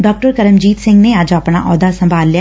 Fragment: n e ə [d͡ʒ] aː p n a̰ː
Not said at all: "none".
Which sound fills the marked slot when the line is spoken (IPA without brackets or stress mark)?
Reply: d͡ʒ